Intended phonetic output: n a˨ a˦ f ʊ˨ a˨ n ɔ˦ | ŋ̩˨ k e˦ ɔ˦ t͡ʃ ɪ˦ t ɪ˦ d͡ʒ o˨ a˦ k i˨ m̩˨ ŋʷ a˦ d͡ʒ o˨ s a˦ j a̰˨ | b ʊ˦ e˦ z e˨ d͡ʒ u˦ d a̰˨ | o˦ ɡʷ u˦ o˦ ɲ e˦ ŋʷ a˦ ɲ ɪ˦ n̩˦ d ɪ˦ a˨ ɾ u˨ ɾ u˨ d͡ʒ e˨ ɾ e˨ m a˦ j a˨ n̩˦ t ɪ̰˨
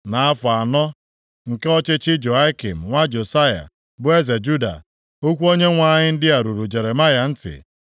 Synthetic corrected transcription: n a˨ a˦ f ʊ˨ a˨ n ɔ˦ | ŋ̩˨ k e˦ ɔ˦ t͡ʃ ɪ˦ t͡ʃ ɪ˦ d͡ʒ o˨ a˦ k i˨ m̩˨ ŋʷ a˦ d͡ʒ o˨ s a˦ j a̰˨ | b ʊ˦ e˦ z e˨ d͡ʒ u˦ d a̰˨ | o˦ kʷ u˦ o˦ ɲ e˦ ŋʷ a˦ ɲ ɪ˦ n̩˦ d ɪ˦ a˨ ɾ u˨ ɾ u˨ d͡ʒ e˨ ɾ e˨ m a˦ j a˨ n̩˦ t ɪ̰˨